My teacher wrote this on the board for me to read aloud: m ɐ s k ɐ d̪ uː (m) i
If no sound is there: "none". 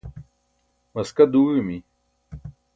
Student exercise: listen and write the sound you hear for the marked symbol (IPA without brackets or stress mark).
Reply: m